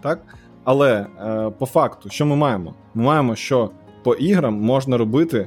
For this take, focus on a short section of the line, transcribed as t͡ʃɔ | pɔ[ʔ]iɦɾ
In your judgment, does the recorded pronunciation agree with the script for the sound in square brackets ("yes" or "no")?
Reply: yes